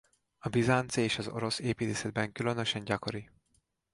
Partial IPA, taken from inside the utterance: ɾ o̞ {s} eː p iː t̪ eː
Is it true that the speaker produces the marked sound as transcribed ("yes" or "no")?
yes